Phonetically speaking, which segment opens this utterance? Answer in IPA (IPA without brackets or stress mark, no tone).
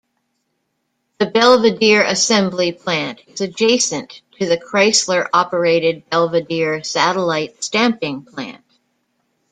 ð